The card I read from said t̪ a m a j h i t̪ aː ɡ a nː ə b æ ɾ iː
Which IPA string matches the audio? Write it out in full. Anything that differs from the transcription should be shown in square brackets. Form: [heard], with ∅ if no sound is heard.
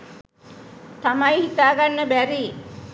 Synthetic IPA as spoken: t̪ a m a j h i t̪ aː ɡ a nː ə b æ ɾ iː